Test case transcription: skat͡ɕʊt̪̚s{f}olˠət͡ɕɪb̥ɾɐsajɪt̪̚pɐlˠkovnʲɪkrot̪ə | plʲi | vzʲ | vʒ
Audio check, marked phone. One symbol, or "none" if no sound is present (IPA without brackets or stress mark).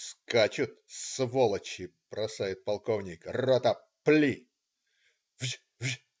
v